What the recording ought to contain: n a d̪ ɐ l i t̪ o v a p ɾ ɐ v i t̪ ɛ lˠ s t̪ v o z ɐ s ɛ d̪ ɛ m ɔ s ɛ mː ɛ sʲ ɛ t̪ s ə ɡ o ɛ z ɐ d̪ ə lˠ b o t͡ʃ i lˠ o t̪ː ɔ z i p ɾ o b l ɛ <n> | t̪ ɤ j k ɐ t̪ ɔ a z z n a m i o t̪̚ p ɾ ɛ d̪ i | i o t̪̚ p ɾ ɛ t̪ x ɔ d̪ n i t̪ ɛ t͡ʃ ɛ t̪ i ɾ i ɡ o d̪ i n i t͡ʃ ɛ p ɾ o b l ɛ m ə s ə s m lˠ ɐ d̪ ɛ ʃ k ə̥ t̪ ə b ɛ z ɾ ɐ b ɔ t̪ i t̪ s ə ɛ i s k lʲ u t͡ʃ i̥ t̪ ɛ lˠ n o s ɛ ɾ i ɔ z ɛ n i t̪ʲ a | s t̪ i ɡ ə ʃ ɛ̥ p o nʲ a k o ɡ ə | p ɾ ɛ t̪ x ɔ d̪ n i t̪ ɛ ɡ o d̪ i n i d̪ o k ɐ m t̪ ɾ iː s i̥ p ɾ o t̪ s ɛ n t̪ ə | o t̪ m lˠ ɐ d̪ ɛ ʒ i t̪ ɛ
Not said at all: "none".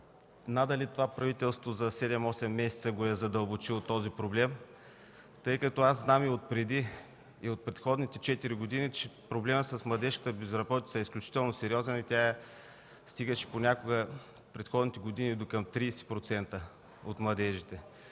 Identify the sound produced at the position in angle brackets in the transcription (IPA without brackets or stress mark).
m